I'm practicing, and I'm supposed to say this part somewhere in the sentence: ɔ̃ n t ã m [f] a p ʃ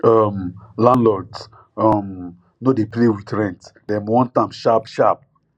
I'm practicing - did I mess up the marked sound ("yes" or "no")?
yes